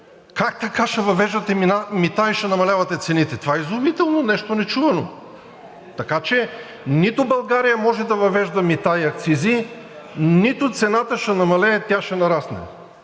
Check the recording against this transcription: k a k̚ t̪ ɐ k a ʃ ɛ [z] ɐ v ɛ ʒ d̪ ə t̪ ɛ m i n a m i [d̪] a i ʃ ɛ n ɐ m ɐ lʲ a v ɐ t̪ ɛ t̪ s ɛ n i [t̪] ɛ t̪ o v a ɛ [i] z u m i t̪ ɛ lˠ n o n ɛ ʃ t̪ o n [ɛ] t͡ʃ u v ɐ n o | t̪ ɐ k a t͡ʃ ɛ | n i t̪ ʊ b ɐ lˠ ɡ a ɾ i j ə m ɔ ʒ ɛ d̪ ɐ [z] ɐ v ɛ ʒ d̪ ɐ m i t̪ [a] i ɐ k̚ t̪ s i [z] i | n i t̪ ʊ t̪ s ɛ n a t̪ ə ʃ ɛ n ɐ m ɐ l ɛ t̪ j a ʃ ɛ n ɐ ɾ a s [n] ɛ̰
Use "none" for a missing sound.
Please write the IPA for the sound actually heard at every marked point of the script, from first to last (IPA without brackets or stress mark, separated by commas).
v, t̪, t̪, i, ɛ, v, a, z, n